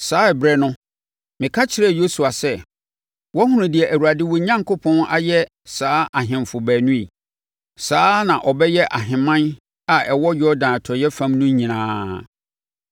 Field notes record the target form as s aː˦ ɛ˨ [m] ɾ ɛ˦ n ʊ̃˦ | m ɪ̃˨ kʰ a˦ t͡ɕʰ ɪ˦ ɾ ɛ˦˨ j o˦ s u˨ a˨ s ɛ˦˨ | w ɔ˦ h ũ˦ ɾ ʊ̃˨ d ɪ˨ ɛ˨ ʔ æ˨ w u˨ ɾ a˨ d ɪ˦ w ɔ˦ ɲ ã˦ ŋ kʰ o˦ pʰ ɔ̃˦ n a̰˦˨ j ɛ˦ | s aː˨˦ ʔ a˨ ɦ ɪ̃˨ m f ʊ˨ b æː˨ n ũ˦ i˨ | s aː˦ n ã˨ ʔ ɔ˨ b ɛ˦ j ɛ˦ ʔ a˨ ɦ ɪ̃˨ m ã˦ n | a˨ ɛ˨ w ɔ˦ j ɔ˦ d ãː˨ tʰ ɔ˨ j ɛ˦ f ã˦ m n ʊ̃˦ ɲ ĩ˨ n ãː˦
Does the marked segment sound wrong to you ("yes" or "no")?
yes